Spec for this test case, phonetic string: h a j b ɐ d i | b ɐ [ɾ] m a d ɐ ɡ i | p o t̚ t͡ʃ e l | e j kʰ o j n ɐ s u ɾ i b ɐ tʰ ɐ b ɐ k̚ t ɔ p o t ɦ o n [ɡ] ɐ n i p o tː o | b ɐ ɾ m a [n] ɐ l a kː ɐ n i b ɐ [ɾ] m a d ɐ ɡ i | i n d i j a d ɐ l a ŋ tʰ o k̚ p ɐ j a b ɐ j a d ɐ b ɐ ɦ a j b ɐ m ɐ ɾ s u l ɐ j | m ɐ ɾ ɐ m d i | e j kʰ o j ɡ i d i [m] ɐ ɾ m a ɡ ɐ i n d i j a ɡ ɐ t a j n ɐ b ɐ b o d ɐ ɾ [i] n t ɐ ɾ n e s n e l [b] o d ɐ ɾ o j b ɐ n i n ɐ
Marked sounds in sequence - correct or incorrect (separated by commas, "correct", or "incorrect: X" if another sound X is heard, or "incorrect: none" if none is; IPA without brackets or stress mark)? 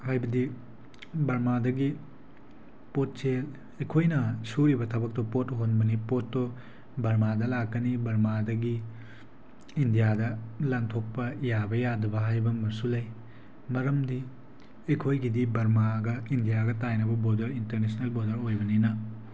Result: correct, incorrect: b, incorrect: d, correct, incorrect: b, correct, correct